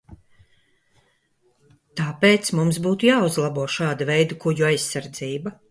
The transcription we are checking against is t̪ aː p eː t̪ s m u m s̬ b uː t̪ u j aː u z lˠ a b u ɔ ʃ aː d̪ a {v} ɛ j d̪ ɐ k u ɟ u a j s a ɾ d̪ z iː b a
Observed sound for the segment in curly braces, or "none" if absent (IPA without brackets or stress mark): v